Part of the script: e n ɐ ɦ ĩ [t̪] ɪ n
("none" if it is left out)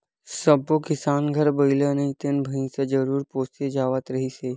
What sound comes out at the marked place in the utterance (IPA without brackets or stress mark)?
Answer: t̪